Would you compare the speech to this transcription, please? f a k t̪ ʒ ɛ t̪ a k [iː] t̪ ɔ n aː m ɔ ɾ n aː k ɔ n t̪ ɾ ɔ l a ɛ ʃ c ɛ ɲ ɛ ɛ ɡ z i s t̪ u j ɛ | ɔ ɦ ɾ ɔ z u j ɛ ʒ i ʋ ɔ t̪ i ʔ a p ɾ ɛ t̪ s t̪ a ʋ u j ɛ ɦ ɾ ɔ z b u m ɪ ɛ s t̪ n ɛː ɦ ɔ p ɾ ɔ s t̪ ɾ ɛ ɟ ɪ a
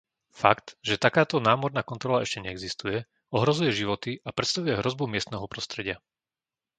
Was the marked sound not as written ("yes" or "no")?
yes